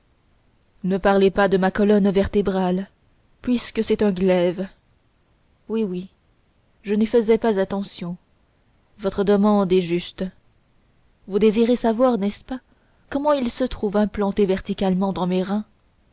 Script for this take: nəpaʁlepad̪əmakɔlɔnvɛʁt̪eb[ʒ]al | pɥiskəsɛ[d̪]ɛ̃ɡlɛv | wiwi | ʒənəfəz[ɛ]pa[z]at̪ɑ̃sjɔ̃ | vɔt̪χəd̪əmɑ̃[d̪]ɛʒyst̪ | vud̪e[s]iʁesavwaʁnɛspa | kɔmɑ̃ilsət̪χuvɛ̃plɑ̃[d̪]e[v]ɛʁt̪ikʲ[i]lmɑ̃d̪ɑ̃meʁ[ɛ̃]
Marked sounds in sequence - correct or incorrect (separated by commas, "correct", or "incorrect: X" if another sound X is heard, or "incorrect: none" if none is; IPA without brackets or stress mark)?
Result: incorrect: ʁ, incorrect: t̪, correct, correct, correct, incorrect: z, incorrect: t̪, correct, incorrect: a, correct